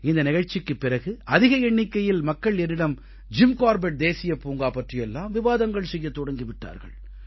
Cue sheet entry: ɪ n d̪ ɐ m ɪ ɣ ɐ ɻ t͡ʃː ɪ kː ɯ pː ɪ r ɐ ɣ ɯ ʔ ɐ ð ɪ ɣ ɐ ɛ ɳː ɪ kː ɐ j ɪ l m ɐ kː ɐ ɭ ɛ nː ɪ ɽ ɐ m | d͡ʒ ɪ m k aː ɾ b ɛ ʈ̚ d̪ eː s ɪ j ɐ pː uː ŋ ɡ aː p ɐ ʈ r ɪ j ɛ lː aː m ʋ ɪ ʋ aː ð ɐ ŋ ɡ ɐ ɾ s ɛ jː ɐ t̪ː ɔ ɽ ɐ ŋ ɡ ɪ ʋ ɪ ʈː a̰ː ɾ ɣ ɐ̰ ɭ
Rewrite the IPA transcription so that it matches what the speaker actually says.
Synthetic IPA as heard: ɪ n d̪ ɐ n ɪ ɣ ɐ ɻ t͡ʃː ɪ kː ɯ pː ɪ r ɐ ɣ ɯ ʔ ɐ ð ɪ ɣ ɐ ɛ ɳː ɪ kː ɐ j ɪ l m ɐ kː ɐ ɭ ɛ nː ɪ ɽ ɐ m | d͡ʒ ɪ m k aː ɾ b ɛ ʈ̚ d̪ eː s ɪ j ɐ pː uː ŋ ɡ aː p ɐ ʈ r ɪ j ɛ lː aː m ʋ ɪ ʋ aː ð ɐ ŋ ɡ ɐ ɭ s ɛ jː ɐ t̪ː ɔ ɽ ɐ ŋ ɡ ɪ ʋ ɪ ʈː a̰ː ɾ ɣ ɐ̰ ɭ